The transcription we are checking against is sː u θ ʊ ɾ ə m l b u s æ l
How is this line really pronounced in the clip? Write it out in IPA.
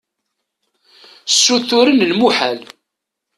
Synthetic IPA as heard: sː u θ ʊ ɾ ə n l m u ħ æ l